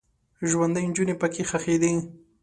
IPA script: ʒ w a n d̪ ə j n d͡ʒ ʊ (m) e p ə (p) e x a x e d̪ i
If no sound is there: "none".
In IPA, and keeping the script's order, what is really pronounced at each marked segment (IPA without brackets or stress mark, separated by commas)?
n, k